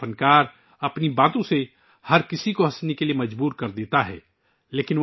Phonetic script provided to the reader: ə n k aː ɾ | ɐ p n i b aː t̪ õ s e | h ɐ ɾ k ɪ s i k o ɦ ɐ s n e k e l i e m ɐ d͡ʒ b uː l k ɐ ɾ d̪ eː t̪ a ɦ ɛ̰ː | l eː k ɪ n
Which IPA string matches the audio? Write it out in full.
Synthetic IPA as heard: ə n k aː ɾ | ɐ p n i b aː t̪ õ s e | h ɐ ɾ k ɪ s i k o ɦ ɐ s n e k e l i e m ɐ d͡ʒ b uː ɾ k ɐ ɾ d̪ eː t̪ a ɦ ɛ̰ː | l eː k ɪ n

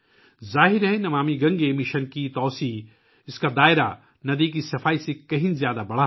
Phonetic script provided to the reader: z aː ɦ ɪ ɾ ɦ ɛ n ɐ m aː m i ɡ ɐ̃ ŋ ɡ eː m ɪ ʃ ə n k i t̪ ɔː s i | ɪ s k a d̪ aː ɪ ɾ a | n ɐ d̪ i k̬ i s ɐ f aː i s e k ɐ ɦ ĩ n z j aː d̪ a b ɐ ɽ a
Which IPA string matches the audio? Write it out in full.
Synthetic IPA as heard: z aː ɦ ɪ ɾ ɦ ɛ n ɐ m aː m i ɡ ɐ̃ ŋ ɡ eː m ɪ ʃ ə n k i t̪ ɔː s i | ɪ s k a d̪ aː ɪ ɾ a | n ɐ d̪ i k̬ i s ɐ f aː i s e k ɐ ɦ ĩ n z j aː d̪ a b ɐ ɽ a

